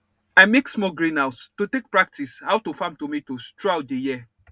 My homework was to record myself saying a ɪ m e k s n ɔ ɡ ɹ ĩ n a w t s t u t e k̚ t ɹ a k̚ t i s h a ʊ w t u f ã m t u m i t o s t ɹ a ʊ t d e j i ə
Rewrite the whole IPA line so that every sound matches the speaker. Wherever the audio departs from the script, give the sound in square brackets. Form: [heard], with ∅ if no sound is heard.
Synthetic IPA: a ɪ m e k s [m] ɔ ɡ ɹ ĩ n a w t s t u t e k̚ [p] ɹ a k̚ t i s h a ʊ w t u f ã m t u m i t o s t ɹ a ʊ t d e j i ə